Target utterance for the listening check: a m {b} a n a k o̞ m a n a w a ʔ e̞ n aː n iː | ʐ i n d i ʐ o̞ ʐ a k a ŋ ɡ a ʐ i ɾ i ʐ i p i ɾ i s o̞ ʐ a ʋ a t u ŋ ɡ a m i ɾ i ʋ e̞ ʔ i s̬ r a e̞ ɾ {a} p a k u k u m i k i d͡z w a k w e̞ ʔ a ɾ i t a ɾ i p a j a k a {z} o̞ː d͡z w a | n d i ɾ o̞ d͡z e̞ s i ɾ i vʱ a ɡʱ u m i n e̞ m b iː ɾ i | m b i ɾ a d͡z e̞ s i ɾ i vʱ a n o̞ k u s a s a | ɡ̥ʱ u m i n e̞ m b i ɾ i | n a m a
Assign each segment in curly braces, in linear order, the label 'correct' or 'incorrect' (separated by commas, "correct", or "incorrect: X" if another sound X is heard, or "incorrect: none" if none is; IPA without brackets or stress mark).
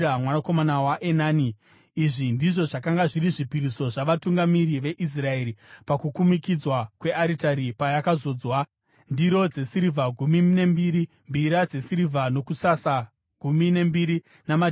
incorrect: w, incorrect: i, correct